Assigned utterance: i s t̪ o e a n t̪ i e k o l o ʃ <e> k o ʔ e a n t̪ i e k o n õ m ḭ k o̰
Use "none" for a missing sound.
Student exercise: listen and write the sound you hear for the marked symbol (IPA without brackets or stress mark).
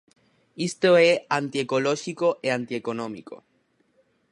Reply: i